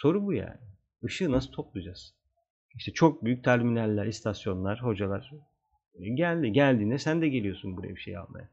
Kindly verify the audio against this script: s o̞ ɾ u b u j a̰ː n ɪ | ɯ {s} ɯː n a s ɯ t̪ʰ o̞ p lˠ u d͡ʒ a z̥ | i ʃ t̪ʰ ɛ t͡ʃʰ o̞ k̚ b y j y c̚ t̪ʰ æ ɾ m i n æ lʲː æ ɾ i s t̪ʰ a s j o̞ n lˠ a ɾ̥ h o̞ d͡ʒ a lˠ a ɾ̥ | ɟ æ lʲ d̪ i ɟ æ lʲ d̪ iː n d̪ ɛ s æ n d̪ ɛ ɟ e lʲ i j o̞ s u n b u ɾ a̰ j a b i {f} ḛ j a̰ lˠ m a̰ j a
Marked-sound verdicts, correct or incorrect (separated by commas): incorrect, incorrect